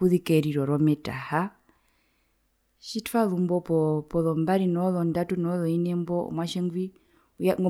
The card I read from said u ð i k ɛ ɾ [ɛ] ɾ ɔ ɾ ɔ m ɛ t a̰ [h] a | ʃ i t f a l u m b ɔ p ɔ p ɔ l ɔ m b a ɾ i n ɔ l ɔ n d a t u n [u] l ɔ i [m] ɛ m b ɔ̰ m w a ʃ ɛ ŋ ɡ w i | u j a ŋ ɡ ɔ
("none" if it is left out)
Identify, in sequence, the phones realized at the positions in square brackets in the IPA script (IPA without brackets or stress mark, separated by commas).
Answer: i, h, ɔ, n